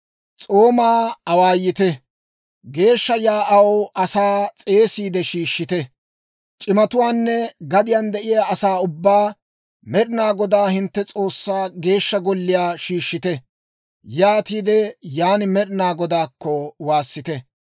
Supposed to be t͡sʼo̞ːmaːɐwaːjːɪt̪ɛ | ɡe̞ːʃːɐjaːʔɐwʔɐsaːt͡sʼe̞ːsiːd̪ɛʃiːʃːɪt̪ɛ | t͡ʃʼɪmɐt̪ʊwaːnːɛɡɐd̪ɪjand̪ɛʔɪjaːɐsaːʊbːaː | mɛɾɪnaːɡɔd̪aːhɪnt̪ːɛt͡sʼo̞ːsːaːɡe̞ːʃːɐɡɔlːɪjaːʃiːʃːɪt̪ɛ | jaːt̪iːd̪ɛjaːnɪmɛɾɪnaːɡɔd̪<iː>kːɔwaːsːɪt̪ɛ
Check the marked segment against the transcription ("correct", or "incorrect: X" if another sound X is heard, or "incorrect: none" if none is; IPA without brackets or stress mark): incorrect: aː